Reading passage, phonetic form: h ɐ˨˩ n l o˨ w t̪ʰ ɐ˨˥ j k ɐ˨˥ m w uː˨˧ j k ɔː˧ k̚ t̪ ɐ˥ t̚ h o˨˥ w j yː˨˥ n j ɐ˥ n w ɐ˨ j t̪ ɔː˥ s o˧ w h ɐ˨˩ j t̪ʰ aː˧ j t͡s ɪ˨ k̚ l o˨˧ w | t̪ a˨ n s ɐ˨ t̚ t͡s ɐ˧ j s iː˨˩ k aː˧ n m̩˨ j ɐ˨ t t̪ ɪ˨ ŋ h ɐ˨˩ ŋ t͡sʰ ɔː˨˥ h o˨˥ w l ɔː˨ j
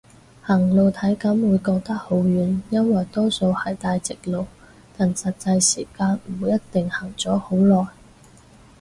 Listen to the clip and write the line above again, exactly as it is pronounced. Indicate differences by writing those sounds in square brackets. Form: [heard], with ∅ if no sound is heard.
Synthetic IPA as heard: h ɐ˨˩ [ŋ] l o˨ w t̪ʰ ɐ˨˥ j k ɐ˨˥ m w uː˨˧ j k ɔː˧ k̚ t̪ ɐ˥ [k̚] h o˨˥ w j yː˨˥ n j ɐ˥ n w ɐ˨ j t̪ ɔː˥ s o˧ w h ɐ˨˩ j [t̪] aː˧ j t͡s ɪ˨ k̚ l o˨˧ w | t̪ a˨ n s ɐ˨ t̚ t͡s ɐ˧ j s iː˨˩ k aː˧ n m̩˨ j [ɐ˥] t t̪ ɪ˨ ŋ h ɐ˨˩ ŋ [t͡s] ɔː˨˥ h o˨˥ w l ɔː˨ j

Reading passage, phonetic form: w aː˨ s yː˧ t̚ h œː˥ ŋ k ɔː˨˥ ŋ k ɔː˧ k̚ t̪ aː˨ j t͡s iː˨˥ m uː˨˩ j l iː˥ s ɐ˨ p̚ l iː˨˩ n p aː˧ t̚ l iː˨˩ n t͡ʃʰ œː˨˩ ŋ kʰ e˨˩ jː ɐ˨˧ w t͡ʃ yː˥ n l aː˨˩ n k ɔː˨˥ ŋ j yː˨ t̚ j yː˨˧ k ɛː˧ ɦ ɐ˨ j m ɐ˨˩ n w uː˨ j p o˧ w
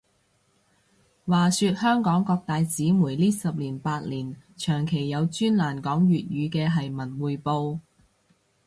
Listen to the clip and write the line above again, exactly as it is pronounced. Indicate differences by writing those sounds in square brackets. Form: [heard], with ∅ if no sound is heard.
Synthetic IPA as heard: w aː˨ s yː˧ t̚ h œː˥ ŋ k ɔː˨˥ ŋ k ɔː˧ k̚ t̪ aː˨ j t͡s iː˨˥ m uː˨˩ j l iː˥ s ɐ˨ p̚ l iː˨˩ n p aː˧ t̚ l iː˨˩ n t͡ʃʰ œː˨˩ ŋ kʰ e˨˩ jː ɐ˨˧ w t͡ʃ yː˥ n l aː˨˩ n k ɔː˨˥ ŋ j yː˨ t̚ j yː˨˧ k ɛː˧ ɦ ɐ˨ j m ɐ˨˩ n w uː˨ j p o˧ w

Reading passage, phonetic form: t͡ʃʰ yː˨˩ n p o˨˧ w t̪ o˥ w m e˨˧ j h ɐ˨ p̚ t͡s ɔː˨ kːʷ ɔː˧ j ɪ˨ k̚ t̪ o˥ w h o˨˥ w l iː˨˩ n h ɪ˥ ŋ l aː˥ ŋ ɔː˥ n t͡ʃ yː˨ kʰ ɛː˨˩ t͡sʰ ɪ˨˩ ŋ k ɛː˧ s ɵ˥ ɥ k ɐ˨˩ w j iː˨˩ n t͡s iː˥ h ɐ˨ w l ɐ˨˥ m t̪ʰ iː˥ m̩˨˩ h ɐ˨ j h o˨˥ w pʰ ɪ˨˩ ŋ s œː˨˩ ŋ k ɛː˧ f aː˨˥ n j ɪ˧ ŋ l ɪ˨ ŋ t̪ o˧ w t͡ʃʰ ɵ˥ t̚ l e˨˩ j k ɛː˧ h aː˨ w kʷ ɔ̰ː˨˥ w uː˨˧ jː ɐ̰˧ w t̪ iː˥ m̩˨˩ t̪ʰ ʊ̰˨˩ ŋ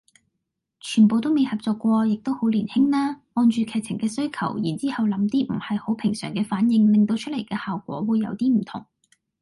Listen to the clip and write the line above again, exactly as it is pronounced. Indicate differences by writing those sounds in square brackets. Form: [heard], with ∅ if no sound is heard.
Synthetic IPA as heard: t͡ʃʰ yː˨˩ n p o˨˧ w t̪ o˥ w m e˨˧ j h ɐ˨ p̚ t͡s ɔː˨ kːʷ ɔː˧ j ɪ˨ k̚ t̪ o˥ w h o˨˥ w l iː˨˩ n h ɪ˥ ŋ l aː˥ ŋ [ɔː˧] n t͡ʃ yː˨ kʰ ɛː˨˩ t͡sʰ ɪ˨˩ ŋ k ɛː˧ s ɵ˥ ɥ [kʰ] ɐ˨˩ w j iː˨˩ n t͡s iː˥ h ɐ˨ w l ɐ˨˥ m [t̪] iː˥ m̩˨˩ h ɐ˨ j h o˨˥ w pʰ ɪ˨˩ ŋ s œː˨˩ ŋ k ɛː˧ f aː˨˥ n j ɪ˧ ŋ l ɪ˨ ŋ t̪ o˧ w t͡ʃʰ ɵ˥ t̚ l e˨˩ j k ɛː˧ h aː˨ w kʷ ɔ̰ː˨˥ w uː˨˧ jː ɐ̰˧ w t̪ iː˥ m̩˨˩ t̪ʰ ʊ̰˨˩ ŋ

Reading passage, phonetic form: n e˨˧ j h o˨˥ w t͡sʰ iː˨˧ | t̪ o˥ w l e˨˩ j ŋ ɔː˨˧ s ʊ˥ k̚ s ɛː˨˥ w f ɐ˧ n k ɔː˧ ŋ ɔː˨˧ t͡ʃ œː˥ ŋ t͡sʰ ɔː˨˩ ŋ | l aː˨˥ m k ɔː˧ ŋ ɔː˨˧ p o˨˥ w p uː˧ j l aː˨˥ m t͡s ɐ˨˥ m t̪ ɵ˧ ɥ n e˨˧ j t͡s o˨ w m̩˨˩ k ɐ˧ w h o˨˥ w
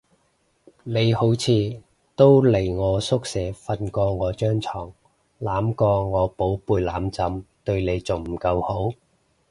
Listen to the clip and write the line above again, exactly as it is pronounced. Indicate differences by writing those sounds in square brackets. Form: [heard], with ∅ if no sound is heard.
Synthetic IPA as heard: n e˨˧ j h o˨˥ w t͡sʰ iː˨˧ | t̪ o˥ w l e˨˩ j ŋ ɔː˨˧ s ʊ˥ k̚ s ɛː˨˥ [∅] f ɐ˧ n k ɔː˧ ŋ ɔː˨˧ t͡ʃ œː˥ ŋ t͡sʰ ɔː˨˩ ŋ | l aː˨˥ m k ɔː˧ ŋ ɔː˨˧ p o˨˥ w p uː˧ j l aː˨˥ m t͡s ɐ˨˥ m t̪ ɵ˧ ɥ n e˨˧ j t͡s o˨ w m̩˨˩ k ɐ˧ w h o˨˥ w

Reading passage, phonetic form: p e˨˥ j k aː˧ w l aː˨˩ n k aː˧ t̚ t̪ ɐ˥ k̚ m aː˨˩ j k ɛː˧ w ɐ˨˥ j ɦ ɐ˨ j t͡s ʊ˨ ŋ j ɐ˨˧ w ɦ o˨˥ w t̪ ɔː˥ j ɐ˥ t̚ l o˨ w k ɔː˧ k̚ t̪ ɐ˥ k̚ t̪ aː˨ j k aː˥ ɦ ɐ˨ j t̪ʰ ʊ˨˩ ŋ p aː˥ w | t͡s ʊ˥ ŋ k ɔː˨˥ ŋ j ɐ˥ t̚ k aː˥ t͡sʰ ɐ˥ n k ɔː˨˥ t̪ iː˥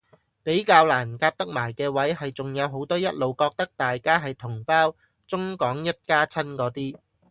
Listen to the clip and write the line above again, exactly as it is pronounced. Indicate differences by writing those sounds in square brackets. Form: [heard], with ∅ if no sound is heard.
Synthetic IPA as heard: p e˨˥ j k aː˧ w l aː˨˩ n k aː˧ [p̚] t̪ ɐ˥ k̚ m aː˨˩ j k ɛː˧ w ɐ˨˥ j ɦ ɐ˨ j t͡s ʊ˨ ŋ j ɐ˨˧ w ɦ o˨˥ w t̪ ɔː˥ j ɐ˥ t̚ l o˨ w k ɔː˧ k̚ t̪ ɐ˥ k̚ t̪ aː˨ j k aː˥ ɦ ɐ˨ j t̪ʰ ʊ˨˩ ŋ p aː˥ w | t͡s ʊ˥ ŋ k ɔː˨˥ ŋ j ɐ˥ t̚ k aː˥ t͡sʰ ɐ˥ n k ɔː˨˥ t̪ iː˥

